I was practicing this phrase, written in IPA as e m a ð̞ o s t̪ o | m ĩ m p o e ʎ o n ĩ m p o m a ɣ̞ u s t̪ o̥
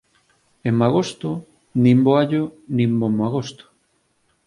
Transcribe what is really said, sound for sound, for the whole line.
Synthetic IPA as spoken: e m a ɣ̞ o s t̪ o | n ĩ m b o a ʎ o n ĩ m b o m a ɣ̞ o s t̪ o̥